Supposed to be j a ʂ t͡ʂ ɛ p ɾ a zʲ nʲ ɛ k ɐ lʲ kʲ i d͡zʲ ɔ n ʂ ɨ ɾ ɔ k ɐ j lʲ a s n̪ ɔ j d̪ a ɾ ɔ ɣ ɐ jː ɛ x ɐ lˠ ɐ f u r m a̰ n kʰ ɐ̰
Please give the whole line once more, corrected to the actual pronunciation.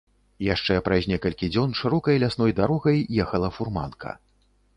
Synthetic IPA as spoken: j a ʂ t͡ʂ ɛ p ɾ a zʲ nʲ ɛ k ɐ lʲ kʲ i d͡zʲ ɔ n ʂ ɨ ɾ ɔ k ɐ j lʲ a s n̪ ɔ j d̪ a ɾ ɔ ɣ ɐ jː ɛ x ɐ lˠ ɐ f u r m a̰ n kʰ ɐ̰